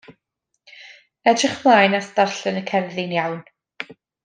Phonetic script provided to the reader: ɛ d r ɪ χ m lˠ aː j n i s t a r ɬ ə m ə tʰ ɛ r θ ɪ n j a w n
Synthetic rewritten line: ɛ d r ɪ χ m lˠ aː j n a s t a r ɬ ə n ə kʰ ɛ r ð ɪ n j a w n